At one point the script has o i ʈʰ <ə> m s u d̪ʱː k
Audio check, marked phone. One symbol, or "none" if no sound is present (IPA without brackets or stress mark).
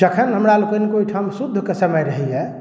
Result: a